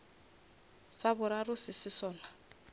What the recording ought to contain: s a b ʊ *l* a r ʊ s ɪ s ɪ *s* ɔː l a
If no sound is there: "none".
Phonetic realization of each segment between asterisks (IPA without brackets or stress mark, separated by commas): ɾ, s